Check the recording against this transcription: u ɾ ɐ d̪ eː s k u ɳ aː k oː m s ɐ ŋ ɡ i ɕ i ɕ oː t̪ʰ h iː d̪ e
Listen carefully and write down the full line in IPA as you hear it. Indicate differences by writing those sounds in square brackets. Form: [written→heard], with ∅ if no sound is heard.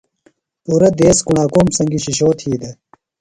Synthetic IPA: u ɾ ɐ d̪ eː s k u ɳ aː k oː m s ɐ ŋ ɡ i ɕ i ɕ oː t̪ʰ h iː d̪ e